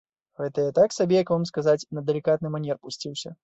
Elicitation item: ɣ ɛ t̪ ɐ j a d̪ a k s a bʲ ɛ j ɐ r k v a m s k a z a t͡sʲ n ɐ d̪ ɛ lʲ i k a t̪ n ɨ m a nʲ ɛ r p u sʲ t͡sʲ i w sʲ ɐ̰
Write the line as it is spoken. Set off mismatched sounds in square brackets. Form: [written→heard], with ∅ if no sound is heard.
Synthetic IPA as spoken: ɣ ɛ t̪ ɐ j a [d̪→t̪] a k s a bʲ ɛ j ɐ [r→∅] k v a m s k a z a t͡sʲ n ɐ d̪ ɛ lʲ i k a t̪ n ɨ m a nʲ ɛ r p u sʲ t͡sʲ i w sʲ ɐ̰